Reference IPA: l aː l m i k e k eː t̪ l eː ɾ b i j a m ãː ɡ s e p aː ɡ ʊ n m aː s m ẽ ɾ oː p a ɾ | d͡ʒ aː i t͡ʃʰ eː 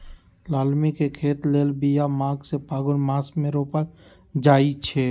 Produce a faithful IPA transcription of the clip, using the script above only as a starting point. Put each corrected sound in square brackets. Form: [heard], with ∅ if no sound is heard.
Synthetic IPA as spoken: l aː l m i k e [kʰ] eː t̪ l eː [l] b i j a m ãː ɡ s e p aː ɡ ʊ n m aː s m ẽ ɾ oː p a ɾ | d͡ʒ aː i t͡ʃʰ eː